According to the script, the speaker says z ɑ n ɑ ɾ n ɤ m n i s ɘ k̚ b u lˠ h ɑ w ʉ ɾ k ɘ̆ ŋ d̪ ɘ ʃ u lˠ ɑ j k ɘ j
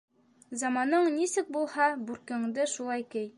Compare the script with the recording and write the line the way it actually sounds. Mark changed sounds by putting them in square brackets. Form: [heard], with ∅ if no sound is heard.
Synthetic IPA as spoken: z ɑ [m] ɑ [∅] n ɤ [ɴ] n i s ɘ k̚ b u lˠ h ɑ [b] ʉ ɾ k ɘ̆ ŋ d̪ ɘ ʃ u lˠ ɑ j k ɘ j